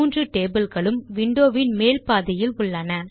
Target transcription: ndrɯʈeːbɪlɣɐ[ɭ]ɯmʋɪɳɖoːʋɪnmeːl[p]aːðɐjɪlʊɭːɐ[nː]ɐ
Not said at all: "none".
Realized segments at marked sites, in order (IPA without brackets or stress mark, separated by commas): ɭ, p, n